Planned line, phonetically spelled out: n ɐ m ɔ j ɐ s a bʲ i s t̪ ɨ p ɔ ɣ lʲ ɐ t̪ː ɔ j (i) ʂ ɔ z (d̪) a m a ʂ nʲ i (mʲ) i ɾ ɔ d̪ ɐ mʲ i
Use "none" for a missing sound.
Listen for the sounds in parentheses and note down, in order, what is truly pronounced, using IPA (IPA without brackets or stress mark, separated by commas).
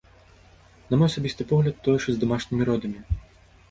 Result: ɛ, d̪, mʲ